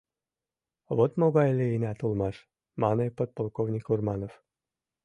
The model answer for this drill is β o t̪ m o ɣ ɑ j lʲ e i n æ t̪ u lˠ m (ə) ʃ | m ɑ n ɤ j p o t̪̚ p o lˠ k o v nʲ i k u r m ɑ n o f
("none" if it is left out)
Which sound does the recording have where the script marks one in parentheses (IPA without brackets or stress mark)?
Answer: ɑ